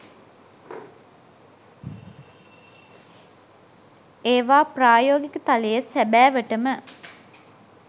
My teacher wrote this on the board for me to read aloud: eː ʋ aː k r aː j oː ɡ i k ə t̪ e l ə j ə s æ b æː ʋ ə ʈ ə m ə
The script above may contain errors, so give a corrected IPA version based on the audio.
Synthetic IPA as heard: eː ʋ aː p r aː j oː ɡ i k ə t̪ a l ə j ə s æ b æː ʋ ə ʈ ə m ə